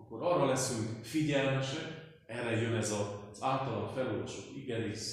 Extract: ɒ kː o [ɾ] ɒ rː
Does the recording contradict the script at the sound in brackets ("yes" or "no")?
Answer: no